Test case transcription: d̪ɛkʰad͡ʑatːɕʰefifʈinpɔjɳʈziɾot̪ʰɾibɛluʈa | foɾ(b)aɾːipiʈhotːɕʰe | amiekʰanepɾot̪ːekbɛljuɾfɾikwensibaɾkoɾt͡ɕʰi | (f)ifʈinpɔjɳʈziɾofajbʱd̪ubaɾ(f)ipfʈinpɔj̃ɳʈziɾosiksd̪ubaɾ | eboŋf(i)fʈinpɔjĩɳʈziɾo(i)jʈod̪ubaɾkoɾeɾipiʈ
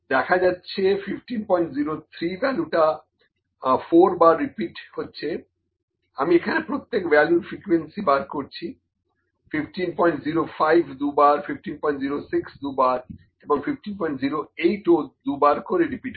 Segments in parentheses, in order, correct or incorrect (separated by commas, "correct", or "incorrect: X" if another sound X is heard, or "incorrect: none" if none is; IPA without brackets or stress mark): correct, correct, correct, correct, incorrect: e